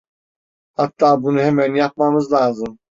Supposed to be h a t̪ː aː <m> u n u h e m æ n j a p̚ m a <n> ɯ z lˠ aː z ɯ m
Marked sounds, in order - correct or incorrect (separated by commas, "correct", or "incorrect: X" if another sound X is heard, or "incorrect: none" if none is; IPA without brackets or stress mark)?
incorrect: b, incorrect: m